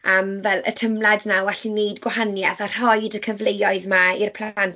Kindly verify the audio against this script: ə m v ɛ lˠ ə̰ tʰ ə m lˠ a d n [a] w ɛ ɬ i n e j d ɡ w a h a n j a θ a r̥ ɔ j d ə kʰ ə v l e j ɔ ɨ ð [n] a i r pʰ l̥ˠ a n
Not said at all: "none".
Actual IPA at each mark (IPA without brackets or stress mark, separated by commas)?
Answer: a, m